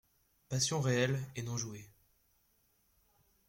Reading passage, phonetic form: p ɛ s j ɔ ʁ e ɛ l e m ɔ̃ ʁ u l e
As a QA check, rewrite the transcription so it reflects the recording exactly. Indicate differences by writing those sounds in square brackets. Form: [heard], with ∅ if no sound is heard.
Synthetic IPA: p [a] s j [ɔ̃] ʁ e ɛ l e [n] ɔ̃ [ʒ] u [∅] e